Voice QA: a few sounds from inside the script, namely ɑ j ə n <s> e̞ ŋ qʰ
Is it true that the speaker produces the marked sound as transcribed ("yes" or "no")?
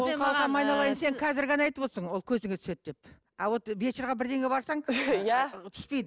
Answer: yes